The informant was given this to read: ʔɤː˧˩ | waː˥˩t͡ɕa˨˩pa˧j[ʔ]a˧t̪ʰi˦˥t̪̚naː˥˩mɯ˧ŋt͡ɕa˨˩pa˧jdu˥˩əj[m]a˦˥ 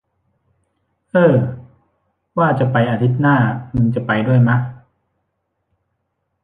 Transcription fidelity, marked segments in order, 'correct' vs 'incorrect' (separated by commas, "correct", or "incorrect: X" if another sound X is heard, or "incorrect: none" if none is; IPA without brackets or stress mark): correct, correct